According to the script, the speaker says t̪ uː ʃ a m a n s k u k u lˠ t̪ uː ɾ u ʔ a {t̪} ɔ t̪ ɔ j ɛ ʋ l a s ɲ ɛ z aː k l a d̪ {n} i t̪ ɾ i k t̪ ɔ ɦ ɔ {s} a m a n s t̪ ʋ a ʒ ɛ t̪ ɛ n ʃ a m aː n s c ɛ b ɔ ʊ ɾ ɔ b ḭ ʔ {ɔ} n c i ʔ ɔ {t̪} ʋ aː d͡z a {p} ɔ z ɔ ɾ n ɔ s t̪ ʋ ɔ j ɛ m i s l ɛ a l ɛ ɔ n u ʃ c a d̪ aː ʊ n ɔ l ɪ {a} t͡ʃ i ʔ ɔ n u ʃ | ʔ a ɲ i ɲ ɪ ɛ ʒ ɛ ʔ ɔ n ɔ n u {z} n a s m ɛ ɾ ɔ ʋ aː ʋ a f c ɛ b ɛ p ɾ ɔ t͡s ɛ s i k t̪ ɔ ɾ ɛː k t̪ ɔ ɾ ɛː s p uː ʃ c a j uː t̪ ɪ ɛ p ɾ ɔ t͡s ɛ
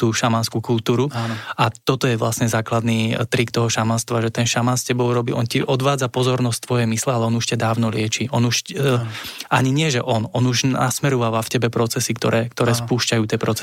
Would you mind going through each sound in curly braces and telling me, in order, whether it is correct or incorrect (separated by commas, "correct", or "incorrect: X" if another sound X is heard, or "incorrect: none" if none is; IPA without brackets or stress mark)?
correct, correct, incorrect: ʃ, correct, incorrect: d̪, correct, incorrect: ɛ, incorrect: ʒ